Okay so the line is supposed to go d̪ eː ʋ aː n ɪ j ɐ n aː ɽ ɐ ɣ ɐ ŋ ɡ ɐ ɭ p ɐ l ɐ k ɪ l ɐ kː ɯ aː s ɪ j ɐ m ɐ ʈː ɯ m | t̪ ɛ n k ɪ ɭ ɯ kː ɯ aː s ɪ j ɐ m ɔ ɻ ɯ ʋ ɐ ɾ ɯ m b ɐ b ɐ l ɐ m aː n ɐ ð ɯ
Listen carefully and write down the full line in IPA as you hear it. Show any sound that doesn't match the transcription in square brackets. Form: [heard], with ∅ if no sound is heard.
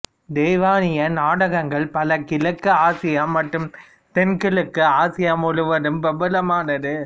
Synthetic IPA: d̪ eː ʋ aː n ɪ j ɐ n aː ɽ ɐ ɣ ɐ ŋ ɡ ɐ ɭ p ɐ l ɐ k ɪ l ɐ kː ɯ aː s ɪ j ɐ m ɐ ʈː ɯ m | t̪ ɛ n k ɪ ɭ ɯ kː ɯ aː s ɪ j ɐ m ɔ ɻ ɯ ʋ ɐ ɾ ɯ m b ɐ b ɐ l ɐ m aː n ɐ ð ɯ